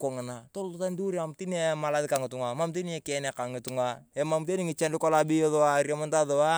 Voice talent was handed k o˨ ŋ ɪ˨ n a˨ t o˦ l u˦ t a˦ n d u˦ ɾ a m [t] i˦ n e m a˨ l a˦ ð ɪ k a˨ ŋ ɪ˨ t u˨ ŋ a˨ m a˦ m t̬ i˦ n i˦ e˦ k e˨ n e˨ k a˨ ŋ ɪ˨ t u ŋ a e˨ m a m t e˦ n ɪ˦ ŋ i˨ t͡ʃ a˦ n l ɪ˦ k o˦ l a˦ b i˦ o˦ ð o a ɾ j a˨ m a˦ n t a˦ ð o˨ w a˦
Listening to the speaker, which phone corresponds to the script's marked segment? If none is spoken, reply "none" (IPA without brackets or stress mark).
t